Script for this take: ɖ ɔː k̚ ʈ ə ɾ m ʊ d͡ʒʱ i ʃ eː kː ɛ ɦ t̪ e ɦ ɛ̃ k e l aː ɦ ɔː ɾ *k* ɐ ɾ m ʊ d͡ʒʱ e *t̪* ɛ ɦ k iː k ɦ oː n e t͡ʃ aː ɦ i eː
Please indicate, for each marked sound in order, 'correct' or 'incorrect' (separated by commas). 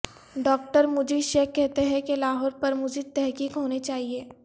incorrect, correct